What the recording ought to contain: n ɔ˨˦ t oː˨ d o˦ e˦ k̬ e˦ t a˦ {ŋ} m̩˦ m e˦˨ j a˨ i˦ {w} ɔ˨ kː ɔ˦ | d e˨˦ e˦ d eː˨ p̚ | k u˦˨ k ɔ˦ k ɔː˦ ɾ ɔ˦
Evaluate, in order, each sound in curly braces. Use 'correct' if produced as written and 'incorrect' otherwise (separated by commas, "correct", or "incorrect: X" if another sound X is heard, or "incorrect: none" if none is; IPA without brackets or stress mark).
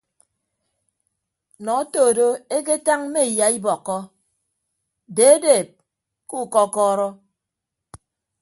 correct, incorrect: b